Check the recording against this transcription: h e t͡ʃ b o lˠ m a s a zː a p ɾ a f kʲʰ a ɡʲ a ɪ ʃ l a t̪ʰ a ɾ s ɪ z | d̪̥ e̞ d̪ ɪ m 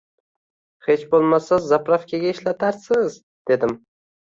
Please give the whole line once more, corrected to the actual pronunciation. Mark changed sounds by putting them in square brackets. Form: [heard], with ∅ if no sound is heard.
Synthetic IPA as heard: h e t͡ʃ b o lˠ m a s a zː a p ɾ a f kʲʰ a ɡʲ a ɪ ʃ l a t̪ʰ a ɾ s ɪ z | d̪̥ e̞ d̪ ɪ m